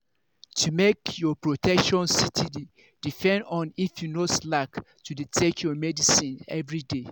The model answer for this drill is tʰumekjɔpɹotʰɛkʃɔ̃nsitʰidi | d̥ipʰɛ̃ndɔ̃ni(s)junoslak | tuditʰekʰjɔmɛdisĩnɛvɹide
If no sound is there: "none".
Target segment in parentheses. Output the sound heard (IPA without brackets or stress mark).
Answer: f